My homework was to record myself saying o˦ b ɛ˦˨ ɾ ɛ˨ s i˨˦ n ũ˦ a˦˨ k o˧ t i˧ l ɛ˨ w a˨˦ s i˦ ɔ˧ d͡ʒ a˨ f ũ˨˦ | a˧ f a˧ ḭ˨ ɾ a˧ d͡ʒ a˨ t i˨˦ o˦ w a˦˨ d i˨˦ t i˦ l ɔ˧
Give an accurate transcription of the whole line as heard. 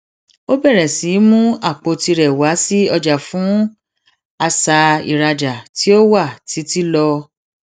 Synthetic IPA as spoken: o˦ b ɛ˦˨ ɾ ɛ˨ s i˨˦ m ũ˦ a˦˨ k͡p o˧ t i˧ ɾ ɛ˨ w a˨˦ s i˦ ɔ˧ d͡ʒ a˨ f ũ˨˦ | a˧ s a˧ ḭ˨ ɾ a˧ d͡ʒ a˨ t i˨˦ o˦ w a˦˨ t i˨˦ t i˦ l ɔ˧